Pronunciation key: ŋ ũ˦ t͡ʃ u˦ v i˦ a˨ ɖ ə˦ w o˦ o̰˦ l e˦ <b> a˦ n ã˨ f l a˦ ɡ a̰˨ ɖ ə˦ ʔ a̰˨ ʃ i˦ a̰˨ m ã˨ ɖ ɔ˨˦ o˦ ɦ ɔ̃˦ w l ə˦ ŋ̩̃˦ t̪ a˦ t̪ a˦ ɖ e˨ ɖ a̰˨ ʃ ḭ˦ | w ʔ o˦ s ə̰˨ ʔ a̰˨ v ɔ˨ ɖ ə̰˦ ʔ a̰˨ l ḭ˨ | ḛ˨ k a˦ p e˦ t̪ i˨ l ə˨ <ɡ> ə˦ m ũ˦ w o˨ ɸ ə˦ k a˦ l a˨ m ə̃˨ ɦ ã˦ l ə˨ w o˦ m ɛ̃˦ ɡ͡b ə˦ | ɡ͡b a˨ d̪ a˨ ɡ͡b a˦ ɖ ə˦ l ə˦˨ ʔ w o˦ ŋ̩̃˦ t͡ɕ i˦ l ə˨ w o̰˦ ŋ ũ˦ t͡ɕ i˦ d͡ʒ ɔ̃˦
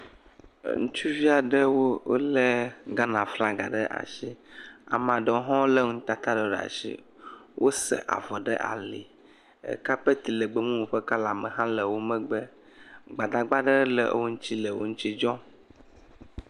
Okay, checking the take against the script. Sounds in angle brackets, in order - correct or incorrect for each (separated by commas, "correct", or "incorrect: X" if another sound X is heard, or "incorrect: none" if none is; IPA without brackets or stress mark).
incorrect: ɡ, incorrect: ɡ͡b